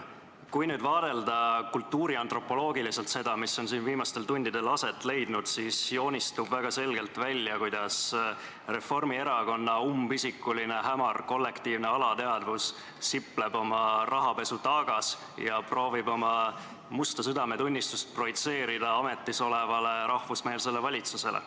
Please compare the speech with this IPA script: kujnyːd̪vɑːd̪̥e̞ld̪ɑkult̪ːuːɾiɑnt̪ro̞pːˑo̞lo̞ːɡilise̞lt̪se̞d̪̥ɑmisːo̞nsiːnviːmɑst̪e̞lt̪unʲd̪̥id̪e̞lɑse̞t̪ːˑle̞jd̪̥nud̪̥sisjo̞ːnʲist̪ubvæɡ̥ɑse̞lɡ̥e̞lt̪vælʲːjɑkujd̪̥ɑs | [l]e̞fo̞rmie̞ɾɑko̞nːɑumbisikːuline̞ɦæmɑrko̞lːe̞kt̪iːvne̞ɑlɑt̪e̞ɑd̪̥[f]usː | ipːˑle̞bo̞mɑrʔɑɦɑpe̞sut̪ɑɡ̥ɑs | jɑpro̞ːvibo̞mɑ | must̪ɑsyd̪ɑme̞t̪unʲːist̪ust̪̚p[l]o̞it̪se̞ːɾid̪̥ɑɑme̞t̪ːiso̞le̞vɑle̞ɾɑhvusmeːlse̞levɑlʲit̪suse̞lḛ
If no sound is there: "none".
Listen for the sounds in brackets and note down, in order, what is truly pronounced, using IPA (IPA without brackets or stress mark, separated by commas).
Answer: r, v, r